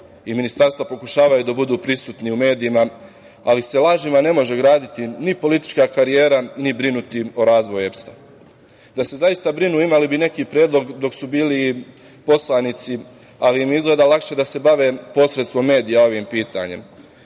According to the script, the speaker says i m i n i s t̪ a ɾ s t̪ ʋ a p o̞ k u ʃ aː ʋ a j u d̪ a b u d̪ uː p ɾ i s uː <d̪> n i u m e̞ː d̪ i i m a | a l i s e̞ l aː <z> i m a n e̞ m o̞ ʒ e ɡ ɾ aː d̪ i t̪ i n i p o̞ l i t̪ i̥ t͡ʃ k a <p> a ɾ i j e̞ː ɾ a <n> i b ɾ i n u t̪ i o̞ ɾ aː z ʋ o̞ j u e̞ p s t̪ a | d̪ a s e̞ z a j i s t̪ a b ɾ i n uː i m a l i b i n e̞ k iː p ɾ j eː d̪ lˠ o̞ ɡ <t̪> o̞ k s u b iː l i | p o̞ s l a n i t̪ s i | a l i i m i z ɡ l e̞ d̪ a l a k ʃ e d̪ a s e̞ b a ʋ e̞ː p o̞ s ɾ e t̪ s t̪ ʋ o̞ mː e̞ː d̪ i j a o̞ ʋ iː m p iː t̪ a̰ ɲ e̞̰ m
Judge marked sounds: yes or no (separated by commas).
no, no, no, yes, no